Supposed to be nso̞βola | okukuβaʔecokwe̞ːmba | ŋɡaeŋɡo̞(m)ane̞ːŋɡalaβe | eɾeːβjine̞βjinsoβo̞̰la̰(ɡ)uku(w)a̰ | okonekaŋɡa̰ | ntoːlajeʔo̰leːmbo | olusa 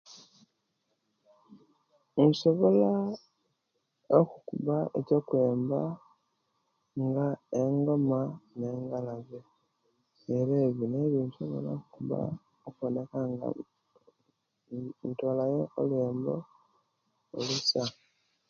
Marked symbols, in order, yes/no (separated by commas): yes, no, no